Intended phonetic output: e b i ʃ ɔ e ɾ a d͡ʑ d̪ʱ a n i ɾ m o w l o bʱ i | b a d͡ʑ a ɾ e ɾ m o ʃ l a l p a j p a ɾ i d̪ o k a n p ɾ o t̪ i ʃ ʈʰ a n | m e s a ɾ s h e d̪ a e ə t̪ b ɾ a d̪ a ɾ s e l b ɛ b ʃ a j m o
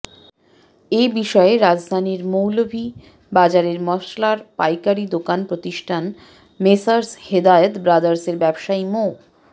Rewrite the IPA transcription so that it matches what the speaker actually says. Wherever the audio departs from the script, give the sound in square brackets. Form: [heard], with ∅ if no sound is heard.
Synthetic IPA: e b i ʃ ɔ e ɾ a d͡ʑ d̪ʱ a n i ɾ m o w l o bʱ i | b a d͡ʑ a ɾ e ɾ m [ɔ] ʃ l a [ɾ] p a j [k] a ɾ i d̪ o k a n p ɾ o t̪ i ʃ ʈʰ a n | m e s a ɾ s h e d̪ a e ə t̪ b ɾ a d̪ a ɾ s e [ɾ] b ɛ b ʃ a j m o